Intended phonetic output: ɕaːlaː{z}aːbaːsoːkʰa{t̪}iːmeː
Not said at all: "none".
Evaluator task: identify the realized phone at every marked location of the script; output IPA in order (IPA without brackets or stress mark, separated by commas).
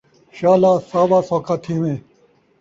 s, t̪ʰ